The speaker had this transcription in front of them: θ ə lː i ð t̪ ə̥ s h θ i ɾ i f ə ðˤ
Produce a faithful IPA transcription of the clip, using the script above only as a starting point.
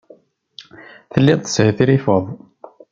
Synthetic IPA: θ ə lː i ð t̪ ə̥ s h θ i ɾ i f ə ðˤ